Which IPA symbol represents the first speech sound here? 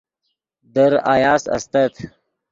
d̪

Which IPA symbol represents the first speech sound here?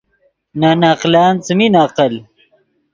n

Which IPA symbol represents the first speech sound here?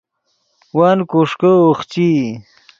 w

